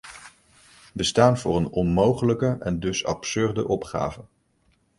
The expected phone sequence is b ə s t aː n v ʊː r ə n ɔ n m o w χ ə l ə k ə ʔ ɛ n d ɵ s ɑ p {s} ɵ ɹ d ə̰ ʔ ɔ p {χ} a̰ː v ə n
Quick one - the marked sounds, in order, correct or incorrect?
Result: correct, correct

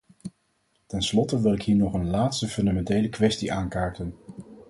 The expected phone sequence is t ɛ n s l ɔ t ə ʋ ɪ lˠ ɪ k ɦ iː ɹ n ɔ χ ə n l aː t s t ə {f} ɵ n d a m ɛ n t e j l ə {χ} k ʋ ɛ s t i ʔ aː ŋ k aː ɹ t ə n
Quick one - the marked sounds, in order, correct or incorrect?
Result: correct, incorrect: none

